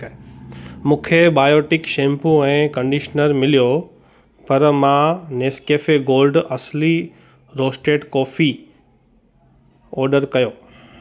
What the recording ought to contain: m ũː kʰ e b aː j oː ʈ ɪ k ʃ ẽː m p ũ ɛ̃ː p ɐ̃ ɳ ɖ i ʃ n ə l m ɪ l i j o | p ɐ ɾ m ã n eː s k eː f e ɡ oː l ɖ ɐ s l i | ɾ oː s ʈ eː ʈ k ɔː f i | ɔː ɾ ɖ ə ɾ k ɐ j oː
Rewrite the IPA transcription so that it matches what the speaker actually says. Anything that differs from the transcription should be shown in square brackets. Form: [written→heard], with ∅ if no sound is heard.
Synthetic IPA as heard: m ũː kʰ e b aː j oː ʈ ɪ k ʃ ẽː m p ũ ɛ̃ː [p→k] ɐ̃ ɳ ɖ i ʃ n ə [l→ɾ] m ɪ l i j o | p ɐ ɾ m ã n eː s k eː f e ɡ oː l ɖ ɐ s l i | ɾ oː s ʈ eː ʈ k ɔː f i | ɔː ɾ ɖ ə ɾ k ɐ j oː

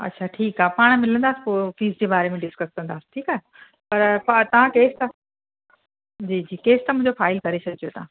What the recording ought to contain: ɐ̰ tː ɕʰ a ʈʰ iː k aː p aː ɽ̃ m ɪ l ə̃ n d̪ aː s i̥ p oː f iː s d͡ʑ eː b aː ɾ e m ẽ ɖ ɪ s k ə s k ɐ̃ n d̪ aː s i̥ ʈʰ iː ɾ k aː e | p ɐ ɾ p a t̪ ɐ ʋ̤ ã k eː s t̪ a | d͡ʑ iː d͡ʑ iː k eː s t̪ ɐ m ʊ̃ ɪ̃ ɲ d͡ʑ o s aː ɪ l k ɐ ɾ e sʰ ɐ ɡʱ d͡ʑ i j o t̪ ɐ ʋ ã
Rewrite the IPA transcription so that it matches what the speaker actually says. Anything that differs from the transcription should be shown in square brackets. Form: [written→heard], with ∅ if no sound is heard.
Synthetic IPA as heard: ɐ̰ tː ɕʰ a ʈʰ iː k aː p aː ɽ̃ m ɪ l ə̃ n d̪ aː s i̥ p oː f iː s d͡ʑ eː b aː ɾ e m ẽ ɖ ɪ s k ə s k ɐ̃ n d̪ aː s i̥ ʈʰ iː [ɾ→∅] k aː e | p ɐ ɾ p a t̪ ɐ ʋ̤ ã k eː s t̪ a | d͡ʑ iː d͡ʑ iː k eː s t̪ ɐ m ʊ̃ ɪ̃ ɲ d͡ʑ o [s→f] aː ɪ l k ɐ ɾ e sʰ ɐ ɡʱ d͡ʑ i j o t̪ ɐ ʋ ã

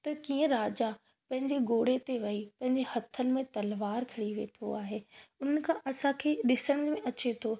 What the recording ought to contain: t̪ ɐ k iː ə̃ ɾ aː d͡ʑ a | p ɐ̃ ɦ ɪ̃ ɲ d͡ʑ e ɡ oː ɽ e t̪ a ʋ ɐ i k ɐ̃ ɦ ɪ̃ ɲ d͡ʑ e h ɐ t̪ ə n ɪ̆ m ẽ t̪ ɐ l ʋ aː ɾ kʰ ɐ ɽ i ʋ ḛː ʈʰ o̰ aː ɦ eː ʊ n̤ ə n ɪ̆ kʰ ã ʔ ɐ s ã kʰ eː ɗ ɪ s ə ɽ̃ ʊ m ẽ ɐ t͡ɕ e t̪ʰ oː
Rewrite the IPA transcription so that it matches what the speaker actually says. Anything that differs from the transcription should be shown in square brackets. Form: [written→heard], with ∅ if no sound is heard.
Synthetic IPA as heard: t̪ ɐ k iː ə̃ ɾ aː d͡ʑ a | p ɐ̃ ɦ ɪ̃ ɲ d͡ʑ e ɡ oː ɽ e t̪ [a→e] ʋ ɐ i [k→p] ɐ̃ ɦ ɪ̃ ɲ d͡ʑ e h ɐ [t̪→t̪ʰ] ə n ɪ̆ m ẽ t̪ ɐ l ʋ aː ɾ kʰ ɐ ɽ i ʋ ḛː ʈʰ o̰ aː ɦ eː ʊ n̤ ə n ɪ̆ kʰ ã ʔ ɐ s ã kʰ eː ɗ ɪ s ə ɽ̃ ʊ m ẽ ɐ t͡ɕ e t̪ʰ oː

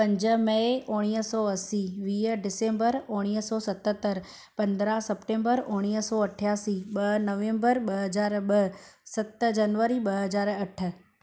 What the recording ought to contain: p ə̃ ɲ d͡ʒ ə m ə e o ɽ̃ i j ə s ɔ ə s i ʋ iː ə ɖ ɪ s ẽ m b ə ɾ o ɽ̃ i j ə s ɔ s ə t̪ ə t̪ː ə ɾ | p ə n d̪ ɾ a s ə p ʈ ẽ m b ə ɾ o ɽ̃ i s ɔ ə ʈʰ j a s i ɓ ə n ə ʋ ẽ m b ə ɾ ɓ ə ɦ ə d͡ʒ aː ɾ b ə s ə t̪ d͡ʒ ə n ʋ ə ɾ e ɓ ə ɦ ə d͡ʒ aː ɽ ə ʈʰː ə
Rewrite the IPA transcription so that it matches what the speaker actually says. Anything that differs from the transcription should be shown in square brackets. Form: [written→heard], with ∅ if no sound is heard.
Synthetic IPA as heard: p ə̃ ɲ d͡ʒ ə m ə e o ɽ̃ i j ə s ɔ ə s i ʋ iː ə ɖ ɪ s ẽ m b ə ɾ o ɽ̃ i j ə s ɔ s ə t̪ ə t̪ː ə ɾ | p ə n d̪ ɾ a s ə p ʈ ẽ m b ə ɾ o ɽ̃ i s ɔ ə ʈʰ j a s i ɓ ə n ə ʋ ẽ m b ə ɾ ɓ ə ɦ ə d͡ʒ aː ɾ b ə s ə t̪ d͡ʒ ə n ʋ ə ɾ [e→i] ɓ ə ɦ ə d͡ʒ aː [ɽ→ɾ] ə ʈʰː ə

